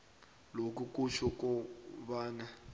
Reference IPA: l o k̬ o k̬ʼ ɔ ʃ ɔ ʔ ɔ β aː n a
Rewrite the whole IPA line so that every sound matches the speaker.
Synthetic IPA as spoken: l o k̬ u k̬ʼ u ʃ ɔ k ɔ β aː n a